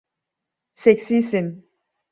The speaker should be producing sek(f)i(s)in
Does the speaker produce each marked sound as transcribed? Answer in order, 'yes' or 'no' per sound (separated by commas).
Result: no, yes